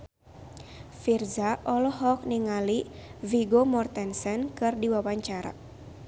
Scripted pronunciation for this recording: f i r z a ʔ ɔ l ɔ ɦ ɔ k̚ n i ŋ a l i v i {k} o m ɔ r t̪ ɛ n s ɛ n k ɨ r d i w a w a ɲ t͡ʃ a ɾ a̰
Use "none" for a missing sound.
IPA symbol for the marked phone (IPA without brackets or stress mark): ɡ